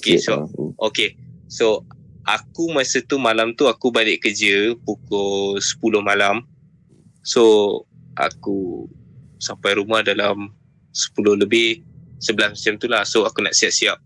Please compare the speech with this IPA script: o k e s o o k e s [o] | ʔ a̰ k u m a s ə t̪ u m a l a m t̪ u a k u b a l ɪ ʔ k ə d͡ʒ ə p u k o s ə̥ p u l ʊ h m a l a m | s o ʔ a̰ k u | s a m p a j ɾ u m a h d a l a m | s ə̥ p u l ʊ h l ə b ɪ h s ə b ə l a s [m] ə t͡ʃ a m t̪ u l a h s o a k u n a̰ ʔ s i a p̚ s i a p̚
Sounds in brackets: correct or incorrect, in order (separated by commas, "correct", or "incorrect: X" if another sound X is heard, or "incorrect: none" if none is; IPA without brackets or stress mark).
correct, correct